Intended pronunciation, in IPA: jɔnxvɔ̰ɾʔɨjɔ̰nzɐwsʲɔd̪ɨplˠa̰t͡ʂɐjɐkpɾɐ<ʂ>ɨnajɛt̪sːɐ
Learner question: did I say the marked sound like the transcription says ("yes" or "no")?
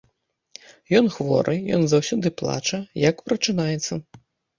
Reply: no